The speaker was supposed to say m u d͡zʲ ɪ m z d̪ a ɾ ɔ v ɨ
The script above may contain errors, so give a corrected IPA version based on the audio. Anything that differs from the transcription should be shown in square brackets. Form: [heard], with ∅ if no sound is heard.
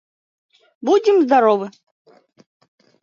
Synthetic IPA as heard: [b] u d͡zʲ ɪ m z d̪ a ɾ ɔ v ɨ